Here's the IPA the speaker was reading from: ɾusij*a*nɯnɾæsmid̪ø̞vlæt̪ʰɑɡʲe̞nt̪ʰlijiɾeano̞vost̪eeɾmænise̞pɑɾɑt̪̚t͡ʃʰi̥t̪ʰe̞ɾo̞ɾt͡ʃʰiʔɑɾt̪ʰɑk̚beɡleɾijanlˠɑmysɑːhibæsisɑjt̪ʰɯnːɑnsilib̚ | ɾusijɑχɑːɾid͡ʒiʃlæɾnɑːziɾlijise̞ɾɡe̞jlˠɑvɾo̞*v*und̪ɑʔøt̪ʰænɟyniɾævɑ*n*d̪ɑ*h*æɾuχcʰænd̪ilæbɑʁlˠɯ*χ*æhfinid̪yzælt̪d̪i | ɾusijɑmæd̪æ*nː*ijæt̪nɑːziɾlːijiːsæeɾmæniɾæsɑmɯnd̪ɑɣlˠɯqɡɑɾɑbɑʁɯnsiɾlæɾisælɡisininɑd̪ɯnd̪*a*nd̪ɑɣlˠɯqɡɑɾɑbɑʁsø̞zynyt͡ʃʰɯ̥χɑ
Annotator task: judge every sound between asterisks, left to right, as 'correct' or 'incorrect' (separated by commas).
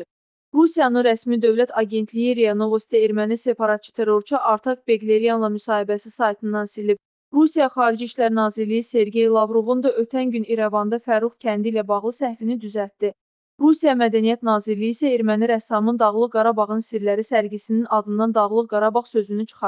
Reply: incorrect, correct, correct, incorrect, incorrect, incorrect, incorrect